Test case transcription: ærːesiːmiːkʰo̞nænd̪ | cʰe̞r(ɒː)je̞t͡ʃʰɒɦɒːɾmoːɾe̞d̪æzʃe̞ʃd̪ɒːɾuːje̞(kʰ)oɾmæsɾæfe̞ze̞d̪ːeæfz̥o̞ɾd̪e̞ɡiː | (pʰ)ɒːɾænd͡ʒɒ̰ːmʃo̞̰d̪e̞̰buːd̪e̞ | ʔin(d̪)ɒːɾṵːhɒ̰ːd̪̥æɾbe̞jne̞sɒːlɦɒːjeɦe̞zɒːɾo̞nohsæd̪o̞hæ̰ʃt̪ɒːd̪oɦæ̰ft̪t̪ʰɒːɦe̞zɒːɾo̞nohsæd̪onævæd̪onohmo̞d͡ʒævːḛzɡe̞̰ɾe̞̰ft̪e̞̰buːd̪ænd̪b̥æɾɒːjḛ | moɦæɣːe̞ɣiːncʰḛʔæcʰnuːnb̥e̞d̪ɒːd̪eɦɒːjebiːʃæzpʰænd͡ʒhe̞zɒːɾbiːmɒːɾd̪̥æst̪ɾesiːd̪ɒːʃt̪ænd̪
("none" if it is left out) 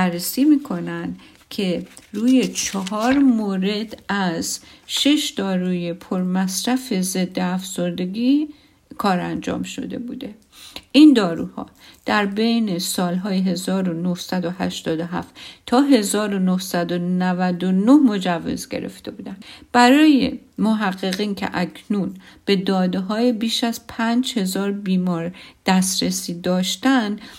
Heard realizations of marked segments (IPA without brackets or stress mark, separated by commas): uː, pʰ, kʰ, d̪